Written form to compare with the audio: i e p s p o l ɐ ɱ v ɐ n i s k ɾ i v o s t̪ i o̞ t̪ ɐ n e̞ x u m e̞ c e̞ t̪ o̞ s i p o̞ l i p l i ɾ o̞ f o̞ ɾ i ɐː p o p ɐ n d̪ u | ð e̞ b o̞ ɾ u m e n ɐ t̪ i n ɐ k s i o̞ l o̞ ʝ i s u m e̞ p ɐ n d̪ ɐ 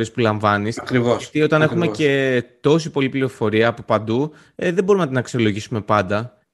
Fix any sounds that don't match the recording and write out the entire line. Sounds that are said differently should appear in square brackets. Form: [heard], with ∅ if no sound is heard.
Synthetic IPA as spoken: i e [∅] s p [u] l ɐ ɱ v ɐ n i s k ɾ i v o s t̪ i o̞ t̪ ɐ n e̞ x u m e̞ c e̞ t̪ o̞ s i p o̞ l i p l i ɾ o̞ f o̞ ɾ i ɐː p o p ɐ n d̪ u | ð e̞ b o̞ ɾ u m e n ɐ t̪ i n ɐ k s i o̞ l o̞ ʝ i s u m e̞ p ɐ n d̪ ɐ